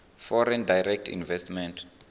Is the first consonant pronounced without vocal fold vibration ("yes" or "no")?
yes